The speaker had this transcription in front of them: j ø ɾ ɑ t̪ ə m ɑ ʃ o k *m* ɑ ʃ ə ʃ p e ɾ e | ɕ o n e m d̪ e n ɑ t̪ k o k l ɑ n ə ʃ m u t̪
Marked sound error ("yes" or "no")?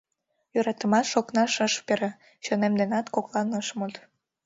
yes